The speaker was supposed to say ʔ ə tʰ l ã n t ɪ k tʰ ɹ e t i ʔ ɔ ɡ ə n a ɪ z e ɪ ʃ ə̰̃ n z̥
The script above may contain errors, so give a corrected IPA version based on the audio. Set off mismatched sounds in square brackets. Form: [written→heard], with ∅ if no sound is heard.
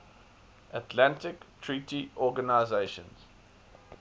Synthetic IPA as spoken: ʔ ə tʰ l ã n t ɪ k tʰ ɹ [e→i] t i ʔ ɔ ɡ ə n a ɪ z e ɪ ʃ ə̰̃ n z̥